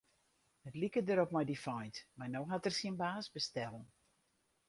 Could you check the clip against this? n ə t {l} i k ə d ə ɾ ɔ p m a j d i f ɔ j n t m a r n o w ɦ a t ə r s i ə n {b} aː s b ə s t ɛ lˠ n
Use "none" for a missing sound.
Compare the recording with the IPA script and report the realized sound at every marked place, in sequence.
l, b

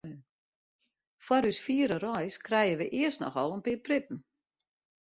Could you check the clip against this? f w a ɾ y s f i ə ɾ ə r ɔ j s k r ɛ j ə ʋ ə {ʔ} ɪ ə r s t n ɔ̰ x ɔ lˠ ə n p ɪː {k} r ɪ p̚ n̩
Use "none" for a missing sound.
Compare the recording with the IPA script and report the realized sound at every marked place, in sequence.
ʔ, p

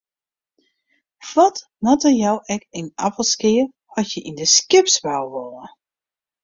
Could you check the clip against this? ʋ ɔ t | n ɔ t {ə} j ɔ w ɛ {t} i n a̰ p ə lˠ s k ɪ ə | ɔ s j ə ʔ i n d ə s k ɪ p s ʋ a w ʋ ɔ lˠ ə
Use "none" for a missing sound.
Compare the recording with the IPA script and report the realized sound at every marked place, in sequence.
ə, k

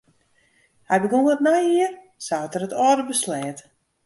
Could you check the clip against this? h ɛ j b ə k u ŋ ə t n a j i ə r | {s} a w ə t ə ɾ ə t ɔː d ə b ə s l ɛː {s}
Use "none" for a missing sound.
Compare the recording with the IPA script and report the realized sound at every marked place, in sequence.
s, t

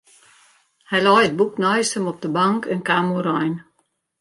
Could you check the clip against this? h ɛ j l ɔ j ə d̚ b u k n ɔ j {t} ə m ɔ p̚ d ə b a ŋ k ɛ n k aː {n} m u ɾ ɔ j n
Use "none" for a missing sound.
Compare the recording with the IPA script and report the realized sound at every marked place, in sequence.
s, none

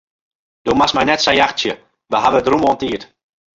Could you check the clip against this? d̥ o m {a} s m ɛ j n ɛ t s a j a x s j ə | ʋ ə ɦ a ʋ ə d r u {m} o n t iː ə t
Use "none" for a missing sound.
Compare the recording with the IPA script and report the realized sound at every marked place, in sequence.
a, m

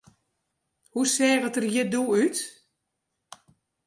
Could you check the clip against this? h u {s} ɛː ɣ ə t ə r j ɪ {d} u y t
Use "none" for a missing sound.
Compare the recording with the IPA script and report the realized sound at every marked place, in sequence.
s, d

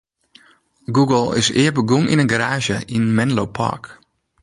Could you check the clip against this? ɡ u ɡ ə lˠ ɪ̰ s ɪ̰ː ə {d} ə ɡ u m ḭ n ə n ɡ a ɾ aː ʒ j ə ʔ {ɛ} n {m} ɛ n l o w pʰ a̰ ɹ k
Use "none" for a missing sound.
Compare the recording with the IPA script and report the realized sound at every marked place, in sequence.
b, i, m

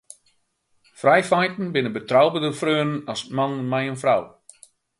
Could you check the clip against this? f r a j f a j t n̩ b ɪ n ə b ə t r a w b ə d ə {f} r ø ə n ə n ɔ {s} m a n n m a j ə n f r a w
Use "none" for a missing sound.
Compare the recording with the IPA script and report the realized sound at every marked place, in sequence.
f, s

